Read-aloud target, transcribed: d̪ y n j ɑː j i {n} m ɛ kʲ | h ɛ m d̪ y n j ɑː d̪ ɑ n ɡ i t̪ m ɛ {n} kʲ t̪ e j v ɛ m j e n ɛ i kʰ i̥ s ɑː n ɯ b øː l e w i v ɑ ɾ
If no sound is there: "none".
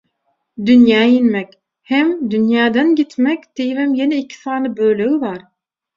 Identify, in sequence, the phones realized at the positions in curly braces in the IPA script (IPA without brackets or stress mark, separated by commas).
n, none